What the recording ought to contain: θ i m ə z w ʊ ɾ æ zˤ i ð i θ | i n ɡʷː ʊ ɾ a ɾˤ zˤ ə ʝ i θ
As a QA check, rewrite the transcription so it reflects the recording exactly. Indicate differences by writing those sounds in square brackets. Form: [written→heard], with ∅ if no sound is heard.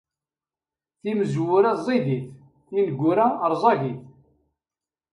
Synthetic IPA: θ i m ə z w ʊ ɾ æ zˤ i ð i θ | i n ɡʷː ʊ ɾ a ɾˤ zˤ [ə→ɑ] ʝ i θ